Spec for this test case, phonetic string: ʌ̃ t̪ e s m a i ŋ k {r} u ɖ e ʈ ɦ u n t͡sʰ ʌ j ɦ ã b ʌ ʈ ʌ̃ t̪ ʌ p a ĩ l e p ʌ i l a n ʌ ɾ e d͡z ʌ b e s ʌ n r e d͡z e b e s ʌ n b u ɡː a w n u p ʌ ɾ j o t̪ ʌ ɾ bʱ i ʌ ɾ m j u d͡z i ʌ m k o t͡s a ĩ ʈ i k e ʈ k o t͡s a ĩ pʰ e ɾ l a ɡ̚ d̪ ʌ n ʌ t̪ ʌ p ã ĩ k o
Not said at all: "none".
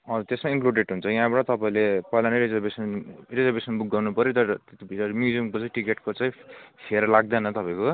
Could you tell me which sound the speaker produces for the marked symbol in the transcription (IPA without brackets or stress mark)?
l